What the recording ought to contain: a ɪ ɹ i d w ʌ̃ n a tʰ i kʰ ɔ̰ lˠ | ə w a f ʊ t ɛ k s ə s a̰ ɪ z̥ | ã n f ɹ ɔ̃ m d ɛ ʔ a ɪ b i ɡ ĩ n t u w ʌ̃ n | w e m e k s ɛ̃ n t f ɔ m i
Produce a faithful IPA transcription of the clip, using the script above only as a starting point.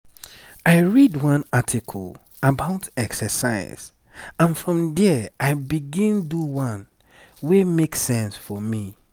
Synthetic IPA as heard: a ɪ ɹ i d w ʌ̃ n a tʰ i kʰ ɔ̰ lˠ | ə b a ʊ t ɛ k s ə s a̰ ɪ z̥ | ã n f ɹ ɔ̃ m d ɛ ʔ a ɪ b i ɡ ĩ n d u w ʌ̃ n | w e m e k s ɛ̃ n s f ɔ m i